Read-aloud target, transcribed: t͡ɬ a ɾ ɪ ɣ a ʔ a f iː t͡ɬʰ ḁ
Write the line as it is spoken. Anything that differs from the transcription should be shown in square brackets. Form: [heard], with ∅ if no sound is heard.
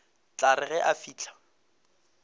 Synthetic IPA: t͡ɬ a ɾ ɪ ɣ [ɛ] ʔ a f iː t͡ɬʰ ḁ